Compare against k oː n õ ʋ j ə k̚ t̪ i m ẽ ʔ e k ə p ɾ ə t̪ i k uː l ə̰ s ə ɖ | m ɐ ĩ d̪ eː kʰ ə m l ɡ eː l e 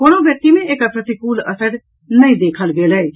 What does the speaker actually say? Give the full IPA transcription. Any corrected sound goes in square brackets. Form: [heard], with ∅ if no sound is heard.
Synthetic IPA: k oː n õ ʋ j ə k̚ t̪ i m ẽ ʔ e k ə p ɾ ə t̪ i k uː l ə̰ s ə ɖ | [n] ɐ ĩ d̪ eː kʰ ə [∅] l ɡ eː l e